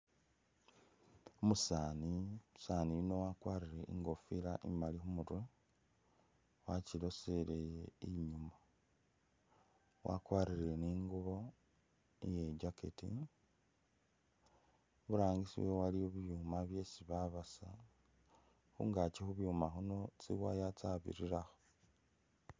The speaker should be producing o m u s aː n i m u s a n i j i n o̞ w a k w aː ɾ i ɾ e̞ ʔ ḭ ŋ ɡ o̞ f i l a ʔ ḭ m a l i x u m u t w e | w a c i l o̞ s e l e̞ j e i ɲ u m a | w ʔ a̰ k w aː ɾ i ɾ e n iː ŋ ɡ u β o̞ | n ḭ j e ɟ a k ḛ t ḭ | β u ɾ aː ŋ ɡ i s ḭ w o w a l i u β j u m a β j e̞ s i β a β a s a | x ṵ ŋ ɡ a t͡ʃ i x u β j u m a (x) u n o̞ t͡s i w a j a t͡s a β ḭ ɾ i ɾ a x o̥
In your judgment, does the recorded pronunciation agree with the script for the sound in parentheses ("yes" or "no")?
yes